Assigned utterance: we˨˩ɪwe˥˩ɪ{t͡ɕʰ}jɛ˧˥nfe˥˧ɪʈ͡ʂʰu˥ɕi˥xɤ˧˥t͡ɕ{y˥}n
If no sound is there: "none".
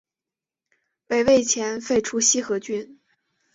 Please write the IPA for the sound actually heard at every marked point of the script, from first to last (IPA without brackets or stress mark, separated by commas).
t͡ɕʰ, y˥